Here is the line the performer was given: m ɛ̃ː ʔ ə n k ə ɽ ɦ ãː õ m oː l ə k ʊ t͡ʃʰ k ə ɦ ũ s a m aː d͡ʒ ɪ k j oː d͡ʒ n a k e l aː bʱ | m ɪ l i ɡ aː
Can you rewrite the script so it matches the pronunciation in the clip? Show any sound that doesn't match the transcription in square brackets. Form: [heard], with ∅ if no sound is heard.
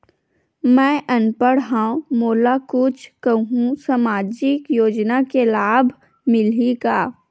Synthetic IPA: m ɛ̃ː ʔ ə n [p] ə ɽ ɦ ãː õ m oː l [a] k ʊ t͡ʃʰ k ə ɦ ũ s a m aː d͡ʒ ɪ k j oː d͡ʒ n a k e l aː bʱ | m ɪ l i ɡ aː